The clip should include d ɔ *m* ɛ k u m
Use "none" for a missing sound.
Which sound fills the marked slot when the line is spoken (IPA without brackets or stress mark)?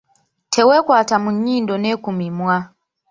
n